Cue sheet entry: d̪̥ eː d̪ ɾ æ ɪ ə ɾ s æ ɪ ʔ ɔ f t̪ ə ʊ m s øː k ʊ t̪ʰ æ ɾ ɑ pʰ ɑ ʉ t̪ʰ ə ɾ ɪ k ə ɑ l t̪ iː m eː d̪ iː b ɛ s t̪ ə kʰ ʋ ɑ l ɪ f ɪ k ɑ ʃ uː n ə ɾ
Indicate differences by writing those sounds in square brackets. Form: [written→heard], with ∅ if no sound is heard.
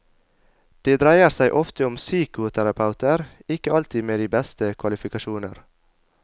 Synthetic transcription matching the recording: d̪̥ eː d̪ ɾ æ ɪ ə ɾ s æ ɪ ʔ ɔ f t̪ ə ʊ m s [øː→yː] k ʊ t̪ʰ æ ɾ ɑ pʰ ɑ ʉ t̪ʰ ə ɾ ɪ k ə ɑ l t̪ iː m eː d̪ iː b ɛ s t̪ ə kʰ ʋ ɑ l ɪ f ɪ k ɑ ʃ uː n ə ɾ

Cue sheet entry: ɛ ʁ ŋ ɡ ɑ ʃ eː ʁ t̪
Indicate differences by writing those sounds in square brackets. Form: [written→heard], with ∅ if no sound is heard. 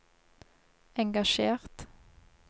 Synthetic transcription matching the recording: ɛ [ʁ→∅] ŋ ɡ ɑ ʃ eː ʁ t̪

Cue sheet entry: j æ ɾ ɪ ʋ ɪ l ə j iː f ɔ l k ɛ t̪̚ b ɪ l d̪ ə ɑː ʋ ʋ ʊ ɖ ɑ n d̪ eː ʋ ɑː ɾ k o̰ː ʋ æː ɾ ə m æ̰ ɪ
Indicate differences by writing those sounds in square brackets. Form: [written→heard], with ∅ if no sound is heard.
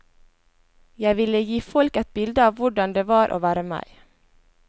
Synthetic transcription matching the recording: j æ [ɾ→∅] ɪ ʋ ɪ l ə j iː f ɔ l k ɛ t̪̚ b ɪ l d̪ ə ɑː ʋ ʋ ʊ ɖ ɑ n d̪ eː ʋ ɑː ɾ [k→ʔ] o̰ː ʋ æː ɾ ə m æ̰ ɪ

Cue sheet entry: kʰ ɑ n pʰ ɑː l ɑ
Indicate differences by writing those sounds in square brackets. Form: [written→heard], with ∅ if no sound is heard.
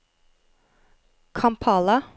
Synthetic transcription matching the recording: kʰ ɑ [n→m] pʰ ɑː l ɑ

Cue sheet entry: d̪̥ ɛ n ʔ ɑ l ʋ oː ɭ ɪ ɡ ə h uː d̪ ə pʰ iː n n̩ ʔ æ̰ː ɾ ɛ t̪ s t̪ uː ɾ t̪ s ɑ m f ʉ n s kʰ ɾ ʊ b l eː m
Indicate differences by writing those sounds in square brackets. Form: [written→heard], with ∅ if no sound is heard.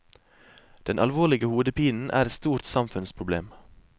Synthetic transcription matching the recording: d̪̥ ɛ n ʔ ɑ l ʋ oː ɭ ɪ ɡ ə h uː d̪ ə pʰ iː n n̩ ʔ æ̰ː ɾ ɛ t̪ s t̪ uː ɾ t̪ s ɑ m f ʉ n s [kʰ→pʰ] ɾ ʊ b l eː m

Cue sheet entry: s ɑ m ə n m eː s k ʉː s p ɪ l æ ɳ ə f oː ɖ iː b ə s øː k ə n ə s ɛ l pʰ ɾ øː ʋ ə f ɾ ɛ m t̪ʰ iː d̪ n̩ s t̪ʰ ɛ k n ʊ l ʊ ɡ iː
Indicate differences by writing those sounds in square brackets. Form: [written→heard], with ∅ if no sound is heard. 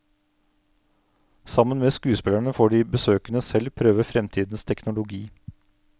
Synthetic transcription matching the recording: s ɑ m ə n m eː s k ʉː s p ɪ l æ ɳ ə f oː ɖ iː b ə s øː k ə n ə s ɛ l pʰ ɾ øː ʋ ə f ɾ ɛ m t̪ʰ iː d̪ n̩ s t̪ʰ ɛ k n ʊ l ʊ ɡ iː

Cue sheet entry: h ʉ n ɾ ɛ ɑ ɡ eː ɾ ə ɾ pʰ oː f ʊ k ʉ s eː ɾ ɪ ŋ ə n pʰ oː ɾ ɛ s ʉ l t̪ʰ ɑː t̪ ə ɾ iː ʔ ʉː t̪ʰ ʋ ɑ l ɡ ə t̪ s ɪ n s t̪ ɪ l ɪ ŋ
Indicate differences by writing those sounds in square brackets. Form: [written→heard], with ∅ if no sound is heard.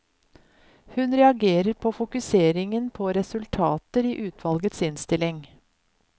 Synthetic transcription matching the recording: h ʉ n ɾ ɛ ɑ ɡ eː ɾ ə ɾ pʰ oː f ʊ k ʉ s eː ɾ ɪ ŋ ə n pʰ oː ɾ ɛ s ʉ l t̪ʰ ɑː t̪ ə ɾ iː ʔ ʉː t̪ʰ ʋ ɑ l ɡ ə t̪ s ɪ n s t̪ ɪ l ɪ ŋ

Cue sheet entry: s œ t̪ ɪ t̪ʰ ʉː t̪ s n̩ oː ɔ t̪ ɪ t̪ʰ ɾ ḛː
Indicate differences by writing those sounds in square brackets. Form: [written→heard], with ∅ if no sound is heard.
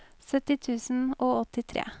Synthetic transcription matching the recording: s œ t̪ ɪ t̪ʰ ʉː [t̪→∅] s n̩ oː ɔ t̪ ɪ t̪ʰ ɾ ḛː

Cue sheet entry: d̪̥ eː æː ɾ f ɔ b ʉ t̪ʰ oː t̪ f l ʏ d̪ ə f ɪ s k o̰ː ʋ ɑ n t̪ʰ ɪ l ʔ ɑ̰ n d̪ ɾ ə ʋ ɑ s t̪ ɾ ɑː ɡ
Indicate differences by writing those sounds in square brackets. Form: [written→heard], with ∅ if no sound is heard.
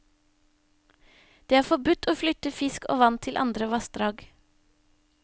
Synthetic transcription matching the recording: d̪̥ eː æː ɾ f ɔ b ʉ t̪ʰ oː [t̪→∅] f l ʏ [d̪→t̪] ə f ɪ s k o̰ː ʋ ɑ n t̪ʰ ɪ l ʔ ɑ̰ n d̪ ɾ ə ʋ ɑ s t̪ ɾ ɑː ɡ

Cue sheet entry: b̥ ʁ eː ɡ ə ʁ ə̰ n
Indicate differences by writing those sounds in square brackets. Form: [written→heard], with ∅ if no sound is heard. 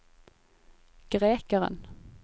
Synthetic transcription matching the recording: [b̥→ɡ̥] ʁ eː [ɡ→k] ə ʁ ə̰ n

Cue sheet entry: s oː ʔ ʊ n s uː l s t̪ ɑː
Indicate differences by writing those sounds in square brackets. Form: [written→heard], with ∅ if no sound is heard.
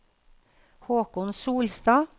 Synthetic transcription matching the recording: [s→h] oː [ʔ→k] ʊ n s uː l s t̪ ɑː

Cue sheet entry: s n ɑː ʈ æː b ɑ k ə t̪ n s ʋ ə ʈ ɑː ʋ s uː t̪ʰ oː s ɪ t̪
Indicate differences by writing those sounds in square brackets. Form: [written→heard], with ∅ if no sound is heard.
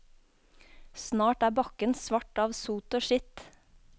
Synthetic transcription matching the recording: s n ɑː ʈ æː b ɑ k ə [t̪→∅] n s ʋ [ə→ɑ] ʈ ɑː ʋ s uː [t̪ʰ→t̪] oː [s→ʃ] ɪ t̪

